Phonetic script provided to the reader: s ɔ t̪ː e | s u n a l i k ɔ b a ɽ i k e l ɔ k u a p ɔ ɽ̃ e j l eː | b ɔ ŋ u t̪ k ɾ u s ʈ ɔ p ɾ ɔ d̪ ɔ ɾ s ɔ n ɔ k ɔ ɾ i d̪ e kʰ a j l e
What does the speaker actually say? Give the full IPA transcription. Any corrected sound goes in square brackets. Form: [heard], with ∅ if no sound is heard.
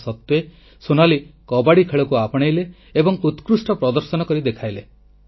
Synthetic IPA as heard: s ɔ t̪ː e | s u n a l i k ɔ b a ɽ i [kʰ] e [ɭ] ɔ k u a p ɔ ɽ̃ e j l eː | b ɔ ŋ u t̪ k ɾ u s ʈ ɔ p ɾ ɔ d̪ ɔ ɾ s ɔ n ɔ k ɔ ɾ i d̪ e kʰ a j l e